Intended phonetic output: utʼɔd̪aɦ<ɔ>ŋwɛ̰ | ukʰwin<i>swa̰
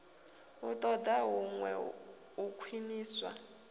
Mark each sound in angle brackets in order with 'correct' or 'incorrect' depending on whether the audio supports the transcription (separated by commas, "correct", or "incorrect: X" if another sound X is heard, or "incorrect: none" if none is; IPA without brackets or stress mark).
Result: incorrect: u, incorrect: iː